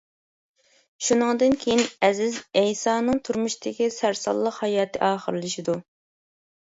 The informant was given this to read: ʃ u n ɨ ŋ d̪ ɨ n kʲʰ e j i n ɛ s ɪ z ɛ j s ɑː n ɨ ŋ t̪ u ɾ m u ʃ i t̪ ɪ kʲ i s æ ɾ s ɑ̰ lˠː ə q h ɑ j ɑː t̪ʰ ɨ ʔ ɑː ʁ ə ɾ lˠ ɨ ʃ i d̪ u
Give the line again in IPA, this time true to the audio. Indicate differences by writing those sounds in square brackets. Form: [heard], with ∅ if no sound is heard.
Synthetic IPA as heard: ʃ u n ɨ ŋ d̪ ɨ n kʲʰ e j i n ɛ [z] ɪ z ɛ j s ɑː n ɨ ŋ [t̪ʰ] u ɾ m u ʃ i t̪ ɪ kʲ i s æ ɾ s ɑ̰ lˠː ə q h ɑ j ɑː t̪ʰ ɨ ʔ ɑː [χ] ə ɾ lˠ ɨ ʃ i d̪ u